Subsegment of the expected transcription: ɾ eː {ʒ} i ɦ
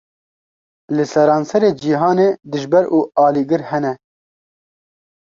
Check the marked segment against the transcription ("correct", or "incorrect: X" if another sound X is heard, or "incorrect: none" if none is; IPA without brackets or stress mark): incorrect: d͡ʒ